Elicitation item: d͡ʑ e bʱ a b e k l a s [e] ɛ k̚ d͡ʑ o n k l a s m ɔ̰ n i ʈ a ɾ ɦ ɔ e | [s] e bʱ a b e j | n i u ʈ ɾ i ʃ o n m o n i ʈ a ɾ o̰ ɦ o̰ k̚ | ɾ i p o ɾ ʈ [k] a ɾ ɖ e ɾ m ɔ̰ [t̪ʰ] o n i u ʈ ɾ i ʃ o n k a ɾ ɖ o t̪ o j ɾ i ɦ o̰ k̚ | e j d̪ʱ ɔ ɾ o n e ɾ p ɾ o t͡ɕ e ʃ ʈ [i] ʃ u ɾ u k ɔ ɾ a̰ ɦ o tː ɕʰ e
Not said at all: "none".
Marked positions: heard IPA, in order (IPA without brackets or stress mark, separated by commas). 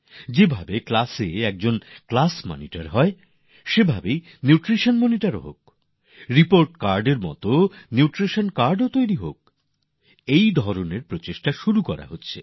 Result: e, ʃ, k, t̪, a